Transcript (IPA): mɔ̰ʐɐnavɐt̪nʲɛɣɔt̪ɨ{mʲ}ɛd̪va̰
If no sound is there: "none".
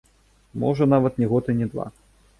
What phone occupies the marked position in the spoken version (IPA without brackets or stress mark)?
nʲ